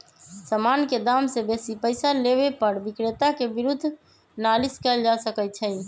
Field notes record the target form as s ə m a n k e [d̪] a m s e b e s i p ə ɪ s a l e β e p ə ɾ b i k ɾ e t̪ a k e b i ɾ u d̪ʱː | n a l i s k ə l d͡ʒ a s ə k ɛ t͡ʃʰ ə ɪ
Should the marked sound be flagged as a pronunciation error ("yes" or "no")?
no